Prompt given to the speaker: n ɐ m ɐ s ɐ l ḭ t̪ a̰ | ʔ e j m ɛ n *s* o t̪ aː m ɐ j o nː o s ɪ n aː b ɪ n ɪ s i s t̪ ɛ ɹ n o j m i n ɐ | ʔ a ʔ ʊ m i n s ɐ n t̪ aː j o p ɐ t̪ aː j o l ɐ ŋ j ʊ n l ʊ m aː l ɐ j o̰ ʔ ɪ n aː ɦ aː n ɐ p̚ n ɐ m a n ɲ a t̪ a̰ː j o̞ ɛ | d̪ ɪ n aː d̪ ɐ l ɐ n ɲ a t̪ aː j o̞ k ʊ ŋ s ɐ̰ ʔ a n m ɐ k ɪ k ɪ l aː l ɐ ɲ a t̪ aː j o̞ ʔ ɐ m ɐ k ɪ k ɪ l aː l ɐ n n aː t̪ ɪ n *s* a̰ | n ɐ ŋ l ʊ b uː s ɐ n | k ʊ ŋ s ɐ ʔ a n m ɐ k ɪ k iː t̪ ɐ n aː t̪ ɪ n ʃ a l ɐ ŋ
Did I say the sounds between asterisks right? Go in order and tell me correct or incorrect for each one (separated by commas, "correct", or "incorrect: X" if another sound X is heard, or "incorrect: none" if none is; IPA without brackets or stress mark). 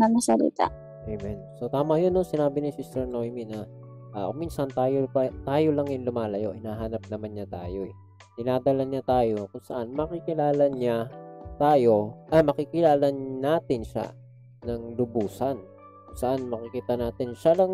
correct, incorrect: ʃ